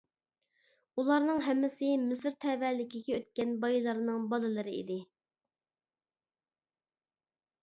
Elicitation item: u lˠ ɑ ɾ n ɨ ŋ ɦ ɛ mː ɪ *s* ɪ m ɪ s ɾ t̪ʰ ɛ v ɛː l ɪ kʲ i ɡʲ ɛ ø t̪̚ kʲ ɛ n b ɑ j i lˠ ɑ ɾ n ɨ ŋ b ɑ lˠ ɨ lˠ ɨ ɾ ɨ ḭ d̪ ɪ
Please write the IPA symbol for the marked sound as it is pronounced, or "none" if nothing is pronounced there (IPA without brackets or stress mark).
s